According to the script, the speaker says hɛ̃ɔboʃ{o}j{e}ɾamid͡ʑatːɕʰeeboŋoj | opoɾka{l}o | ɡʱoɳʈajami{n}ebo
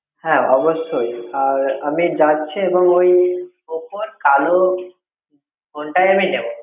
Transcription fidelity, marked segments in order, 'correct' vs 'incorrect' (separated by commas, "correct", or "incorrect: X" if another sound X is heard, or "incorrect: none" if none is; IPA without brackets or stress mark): correct, incorrect: a, correct, correct